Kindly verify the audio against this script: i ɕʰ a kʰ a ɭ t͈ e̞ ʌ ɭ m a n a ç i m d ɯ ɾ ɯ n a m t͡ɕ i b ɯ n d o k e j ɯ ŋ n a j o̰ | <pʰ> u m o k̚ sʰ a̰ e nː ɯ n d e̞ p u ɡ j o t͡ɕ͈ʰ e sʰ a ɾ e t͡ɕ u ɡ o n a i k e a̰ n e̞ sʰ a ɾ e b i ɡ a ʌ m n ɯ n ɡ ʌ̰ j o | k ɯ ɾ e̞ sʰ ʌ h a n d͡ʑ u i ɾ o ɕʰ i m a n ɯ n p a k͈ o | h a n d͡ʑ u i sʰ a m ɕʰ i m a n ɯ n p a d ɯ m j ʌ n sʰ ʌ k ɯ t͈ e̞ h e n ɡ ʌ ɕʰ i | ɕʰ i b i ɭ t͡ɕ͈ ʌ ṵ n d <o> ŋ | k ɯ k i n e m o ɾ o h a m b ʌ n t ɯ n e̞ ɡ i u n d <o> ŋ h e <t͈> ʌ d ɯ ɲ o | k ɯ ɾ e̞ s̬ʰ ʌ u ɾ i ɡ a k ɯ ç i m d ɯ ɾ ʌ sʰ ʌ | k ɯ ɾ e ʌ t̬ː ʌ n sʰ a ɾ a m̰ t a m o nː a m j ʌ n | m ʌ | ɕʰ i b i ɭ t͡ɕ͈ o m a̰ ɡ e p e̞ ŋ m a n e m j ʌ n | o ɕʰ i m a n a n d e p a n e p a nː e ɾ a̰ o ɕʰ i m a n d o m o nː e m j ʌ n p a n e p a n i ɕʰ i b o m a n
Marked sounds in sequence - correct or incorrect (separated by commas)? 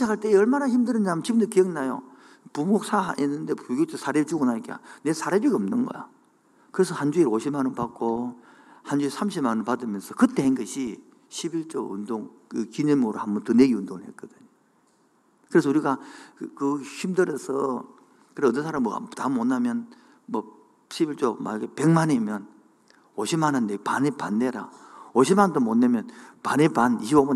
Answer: incorrect, correct, correct, incorrect